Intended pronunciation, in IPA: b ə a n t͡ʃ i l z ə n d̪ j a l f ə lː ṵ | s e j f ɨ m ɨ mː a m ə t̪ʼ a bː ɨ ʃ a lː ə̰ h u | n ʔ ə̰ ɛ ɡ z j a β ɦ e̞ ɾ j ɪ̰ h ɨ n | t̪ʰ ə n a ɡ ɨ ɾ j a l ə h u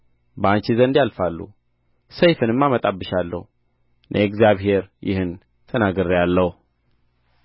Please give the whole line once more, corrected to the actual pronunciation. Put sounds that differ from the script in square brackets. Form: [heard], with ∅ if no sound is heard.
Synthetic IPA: b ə a n t͡ʃ i [∅] z ə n d̪ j a l f [a] lː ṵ | s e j f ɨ [n] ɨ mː a m ə t̪ʼ a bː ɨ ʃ a lː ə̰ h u | n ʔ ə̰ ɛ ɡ z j a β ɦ e̞ ɾ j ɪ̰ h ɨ n | t̪ʰ ə n a ɡ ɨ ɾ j a [lː] ə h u